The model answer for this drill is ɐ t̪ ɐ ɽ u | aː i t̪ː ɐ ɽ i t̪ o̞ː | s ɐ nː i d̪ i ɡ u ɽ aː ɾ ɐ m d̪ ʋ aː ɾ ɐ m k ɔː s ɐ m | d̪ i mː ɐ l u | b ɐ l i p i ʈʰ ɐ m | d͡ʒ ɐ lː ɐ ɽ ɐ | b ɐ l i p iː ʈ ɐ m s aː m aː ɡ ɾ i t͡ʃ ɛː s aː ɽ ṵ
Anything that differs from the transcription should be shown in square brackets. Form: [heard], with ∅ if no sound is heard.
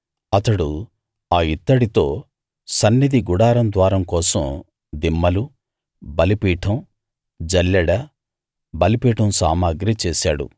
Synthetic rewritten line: ɐ t̪ ɐ ɽ u | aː i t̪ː ɐ ɽ i t̪ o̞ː | s ɐ nː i d̪ i ɡ u ɽ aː ɾ ɐ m d̪ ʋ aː ɾ ɐ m k ɔː s ɐ m | d̪ i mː ɐ l u | b ɐ l i p [iː] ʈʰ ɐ m | d͡ʒ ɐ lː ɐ ɽ ɐ | b ɐ l i p iː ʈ ɐ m s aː m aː ɡ ɾ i t͡ʃ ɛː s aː ɽ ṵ